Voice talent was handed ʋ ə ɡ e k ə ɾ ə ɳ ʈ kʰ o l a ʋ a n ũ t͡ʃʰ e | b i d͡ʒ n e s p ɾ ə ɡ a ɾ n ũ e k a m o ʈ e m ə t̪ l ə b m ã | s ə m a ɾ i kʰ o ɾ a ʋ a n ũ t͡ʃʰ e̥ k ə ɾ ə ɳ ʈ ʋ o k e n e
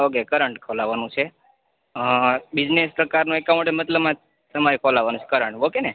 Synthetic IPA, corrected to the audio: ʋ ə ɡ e k ə ɾ ə ɳ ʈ kʰ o l a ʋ a n ũ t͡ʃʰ e | b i d͡ʒ n e s p ɾ ə k a ɾ n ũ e k a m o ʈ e m ə t̪ l ə b m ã | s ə m a ɾ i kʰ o l a ʋ a n ũ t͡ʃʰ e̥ k ə ɾ ə ɳ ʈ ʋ o k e n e

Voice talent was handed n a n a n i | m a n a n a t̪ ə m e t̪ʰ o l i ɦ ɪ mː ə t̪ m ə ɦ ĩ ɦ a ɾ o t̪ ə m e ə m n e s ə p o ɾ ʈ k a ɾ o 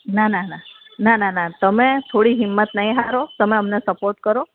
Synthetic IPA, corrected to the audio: n a n a n a | n a n a n a t̪ ə m e t̪ʰ o ɽ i ɦ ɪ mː ə t̪ n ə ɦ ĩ ɦ a ɾ o t̪ ə m e ə m n e s ə p o ɾ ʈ k ə ɾ o

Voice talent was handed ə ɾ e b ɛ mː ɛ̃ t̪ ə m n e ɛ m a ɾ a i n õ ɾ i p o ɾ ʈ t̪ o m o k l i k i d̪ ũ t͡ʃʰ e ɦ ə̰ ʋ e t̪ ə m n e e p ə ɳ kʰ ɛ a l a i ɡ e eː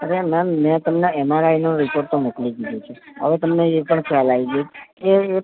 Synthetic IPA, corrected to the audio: ə ɾ e m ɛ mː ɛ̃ t̪ ə m n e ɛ m a ɾ a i n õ ɾ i p o ɾ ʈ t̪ o m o k l i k i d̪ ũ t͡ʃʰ e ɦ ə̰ ʋ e t̪ ə m n e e p ə ɳ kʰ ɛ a l a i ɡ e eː

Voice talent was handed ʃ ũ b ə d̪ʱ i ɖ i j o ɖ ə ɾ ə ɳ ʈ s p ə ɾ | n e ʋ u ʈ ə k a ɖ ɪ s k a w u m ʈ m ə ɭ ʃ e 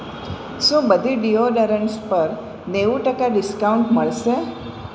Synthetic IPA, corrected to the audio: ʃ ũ b ə d̪ʱ i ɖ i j o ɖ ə ɾ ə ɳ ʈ s p ə ɾ | n e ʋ u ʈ ə k a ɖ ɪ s k a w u ɳ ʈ m ə ɭ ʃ e

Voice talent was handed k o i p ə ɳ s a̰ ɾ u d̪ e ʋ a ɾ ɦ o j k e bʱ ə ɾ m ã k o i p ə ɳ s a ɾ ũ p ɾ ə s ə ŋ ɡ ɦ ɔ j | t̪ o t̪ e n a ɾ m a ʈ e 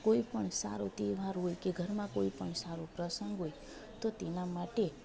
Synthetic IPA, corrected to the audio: k o i p ə ɳ s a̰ ɾ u t̪ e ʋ a ɾ ɦ o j k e ɡʱ ə ɾ m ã k o i p ə ɳ s a ɾ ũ p ɾ ə s ə ŋ ɡ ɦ o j | t̪ o t̪ e n a m a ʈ e

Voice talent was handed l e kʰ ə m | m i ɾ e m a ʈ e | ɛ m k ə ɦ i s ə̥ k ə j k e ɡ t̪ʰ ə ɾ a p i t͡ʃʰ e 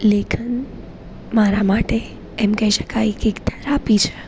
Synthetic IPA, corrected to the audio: l e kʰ ə n | m a ɾ a m a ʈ e | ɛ m k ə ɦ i ʃ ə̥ k a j k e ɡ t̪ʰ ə ɾ a p i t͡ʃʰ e

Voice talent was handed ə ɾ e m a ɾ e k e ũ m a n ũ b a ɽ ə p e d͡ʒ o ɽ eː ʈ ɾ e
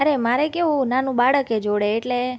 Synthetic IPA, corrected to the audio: ə ɾ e m a ɾ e k e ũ n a n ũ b a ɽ ə k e d͡ʒ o ɽ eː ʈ l e

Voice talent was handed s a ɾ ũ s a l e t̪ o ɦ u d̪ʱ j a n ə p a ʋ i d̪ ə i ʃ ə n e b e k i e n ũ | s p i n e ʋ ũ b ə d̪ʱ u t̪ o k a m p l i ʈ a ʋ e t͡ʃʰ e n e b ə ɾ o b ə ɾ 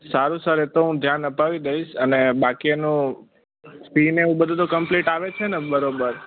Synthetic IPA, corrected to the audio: s a ɾ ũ s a ɾ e t̪ o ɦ ũ d̪ʱ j a n ə p a ʋ i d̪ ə i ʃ ə n e b a k i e n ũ | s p i n e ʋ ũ b ə d̪ʱ u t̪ o k ə m p l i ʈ a ʋ e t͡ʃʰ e n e b ə ɾ o b ə ɾ

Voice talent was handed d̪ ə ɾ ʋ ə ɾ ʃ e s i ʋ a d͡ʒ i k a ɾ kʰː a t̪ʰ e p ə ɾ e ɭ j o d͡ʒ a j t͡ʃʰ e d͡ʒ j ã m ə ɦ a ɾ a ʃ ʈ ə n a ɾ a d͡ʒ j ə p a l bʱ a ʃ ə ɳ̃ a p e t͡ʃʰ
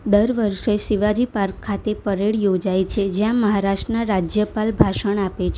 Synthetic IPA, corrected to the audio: d̪ ə ɾ ʋ ə ɾ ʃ e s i ʋ a d͡ʒ i p a ɾ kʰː a t̪ e p ə ɾ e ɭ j o d͡ʒ a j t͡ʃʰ e d͡ʒ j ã m ə ɦ a ɾ a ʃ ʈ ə n a ɾ a d͡ʒ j ə p a l bʱ a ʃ ə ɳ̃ a p e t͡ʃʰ

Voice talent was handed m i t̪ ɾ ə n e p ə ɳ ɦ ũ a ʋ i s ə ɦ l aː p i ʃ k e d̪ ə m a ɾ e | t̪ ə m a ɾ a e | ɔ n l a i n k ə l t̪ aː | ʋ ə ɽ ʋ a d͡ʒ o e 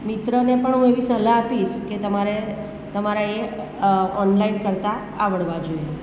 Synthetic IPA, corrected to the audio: m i t̪ ɾ ə n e p ə ɳ ɦ ũ e ʋ i s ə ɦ l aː p i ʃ k e t̪ ə m a ɾ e | t̪ ə m a ɾ a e | ɔ n l a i n k ə ɾ t̪ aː | ʋ ə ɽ ʋ a d͡ʒ o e

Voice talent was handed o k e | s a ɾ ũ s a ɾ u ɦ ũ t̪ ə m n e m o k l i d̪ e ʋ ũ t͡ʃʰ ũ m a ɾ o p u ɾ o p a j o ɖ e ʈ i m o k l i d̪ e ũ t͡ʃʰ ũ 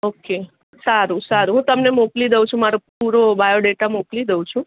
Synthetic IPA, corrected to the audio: o k e | s a ɾ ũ s a ɾ u ɦ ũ t̪ ə m n e m o k l i d̪ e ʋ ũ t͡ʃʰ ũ m a ɾ o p u ɾ o b a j o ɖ e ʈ a m o k l i d̪ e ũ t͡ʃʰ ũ

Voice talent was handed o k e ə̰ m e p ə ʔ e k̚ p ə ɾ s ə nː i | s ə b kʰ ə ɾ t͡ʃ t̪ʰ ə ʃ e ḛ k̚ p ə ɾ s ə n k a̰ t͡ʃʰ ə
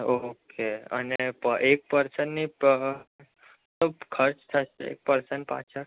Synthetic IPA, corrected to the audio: o k e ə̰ n e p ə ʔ e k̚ p ə ɾ s ə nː i | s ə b kʰ ə ɾ t͡ʃ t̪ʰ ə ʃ e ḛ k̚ p ə ɾ s ə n p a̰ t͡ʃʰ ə

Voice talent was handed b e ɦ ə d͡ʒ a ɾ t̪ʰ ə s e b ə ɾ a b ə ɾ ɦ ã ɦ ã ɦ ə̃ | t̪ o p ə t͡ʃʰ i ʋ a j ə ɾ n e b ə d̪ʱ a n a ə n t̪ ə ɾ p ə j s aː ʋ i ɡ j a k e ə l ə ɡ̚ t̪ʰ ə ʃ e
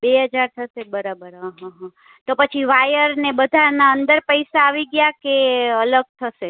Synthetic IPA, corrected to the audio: b e ɦ ə d͡ʒ a ɾ t̪ʰ ə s e b ə ɾ a b ə ɾ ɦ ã ɦ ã ɦ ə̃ | t̪ o p ə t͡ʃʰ i ʋ a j ə ɾ n e b ə d̪ʱ a n a ə n d̪ ə ɾ p ə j s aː ʋ i ɡ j a k e ə l ə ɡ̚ t̪ʰ ə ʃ e

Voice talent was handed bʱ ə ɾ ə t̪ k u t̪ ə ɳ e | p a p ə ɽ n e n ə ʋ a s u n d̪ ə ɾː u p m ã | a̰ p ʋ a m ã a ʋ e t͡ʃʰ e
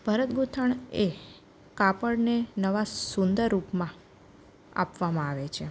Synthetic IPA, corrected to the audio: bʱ ə ɾ ə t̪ ɡ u t̪ʰ ə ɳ e | k a p ə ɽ n e n ə ʋ a s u n d̪ ə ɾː u p m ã | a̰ p ʋ a m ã a ʋ e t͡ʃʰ e

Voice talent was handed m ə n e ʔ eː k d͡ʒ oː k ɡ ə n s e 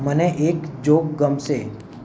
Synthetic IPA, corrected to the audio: m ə n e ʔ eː k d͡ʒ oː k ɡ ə m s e

